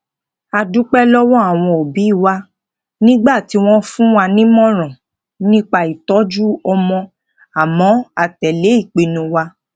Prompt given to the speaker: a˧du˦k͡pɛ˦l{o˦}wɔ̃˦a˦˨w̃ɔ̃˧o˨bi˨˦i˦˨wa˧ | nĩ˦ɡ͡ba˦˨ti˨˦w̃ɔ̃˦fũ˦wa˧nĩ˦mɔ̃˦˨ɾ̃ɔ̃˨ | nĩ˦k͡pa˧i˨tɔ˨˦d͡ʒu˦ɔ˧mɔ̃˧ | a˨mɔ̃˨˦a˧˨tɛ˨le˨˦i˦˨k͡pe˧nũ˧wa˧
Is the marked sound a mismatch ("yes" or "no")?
yes